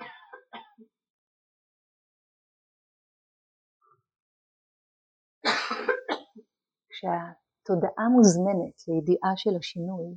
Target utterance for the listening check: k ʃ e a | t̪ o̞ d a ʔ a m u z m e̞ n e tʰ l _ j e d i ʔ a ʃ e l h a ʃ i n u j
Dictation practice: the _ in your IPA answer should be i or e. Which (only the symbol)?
e